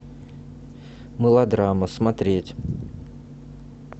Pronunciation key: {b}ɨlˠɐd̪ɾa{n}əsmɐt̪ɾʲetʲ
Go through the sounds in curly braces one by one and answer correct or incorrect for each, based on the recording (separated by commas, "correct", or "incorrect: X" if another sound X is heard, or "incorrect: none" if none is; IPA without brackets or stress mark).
incorrect: m, incorrect: m